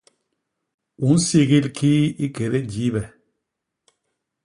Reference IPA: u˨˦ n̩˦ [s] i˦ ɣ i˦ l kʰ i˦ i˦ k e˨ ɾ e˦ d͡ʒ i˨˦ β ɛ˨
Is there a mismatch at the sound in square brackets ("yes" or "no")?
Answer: no